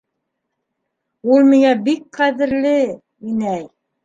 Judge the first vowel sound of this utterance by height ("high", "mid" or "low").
high